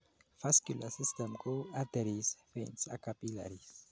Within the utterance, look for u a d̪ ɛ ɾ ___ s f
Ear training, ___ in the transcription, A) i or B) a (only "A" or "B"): A